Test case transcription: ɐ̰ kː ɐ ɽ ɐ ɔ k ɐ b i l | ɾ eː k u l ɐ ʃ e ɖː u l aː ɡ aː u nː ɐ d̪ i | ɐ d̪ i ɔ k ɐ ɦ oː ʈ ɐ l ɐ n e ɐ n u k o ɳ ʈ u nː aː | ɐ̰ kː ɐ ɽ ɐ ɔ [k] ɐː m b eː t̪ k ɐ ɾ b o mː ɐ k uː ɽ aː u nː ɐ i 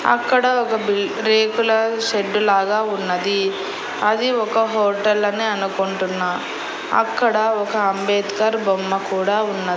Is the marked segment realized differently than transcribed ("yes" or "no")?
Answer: no